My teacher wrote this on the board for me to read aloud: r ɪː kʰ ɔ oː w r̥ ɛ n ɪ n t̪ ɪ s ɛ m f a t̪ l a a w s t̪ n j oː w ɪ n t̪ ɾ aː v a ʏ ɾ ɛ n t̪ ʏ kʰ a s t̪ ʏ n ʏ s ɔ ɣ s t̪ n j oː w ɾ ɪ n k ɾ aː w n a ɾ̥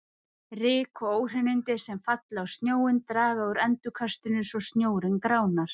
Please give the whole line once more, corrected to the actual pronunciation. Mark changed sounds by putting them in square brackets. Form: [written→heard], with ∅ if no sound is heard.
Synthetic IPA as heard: r ɪː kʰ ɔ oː w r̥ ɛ n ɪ n t̪ ɪ s ɛ m f a t̪ l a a w s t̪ n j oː w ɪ n t̪ ɾ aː [v→ɣ] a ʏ ɾ ɛ n t̪ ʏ kʰ a s t̪ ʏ n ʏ s ɔ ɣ s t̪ n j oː w ɾ ɪ n k ɾ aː w n a ɾ̥